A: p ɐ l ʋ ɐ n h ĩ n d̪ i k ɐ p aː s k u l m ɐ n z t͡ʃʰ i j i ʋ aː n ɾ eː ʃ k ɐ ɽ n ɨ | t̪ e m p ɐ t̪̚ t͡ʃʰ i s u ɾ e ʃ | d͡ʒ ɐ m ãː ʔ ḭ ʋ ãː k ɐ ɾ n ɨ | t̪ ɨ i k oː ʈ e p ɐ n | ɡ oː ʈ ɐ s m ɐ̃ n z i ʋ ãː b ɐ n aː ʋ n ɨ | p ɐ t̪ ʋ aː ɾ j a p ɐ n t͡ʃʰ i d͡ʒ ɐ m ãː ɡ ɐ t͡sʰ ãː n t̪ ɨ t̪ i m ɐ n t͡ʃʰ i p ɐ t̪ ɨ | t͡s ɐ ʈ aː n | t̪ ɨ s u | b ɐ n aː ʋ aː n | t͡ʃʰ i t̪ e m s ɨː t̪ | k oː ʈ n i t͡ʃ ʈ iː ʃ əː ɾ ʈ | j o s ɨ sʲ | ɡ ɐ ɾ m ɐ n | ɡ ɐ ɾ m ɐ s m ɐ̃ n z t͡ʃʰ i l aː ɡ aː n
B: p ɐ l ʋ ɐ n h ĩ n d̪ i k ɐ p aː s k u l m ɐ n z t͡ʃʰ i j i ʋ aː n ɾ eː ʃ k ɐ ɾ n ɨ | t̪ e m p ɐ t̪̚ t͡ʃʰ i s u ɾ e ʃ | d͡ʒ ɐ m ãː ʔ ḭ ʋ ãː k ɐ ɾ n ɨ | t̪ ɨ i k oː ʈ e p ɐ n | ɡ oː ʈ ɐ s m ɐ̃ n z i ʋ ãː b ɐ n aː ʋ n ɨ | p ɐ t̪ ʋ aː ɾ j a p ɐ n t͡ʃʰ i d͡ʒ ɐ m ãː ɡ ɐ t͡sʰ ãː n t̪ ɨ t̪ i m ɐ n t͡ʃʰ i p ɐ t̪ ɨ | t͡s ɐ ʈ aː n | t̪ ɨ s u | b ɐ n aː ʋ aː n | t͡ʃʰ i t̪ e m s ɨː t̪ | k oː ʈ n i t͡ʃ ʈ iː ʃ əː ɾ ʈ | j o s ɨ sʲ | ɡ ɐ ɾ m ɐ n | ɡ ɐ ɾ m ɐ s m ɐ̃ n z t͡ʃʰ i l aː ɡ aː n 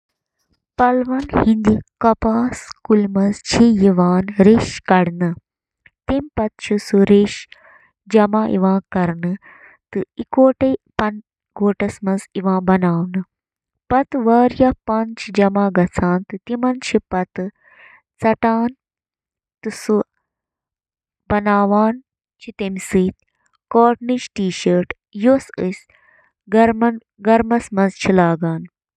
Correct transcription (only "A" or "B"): A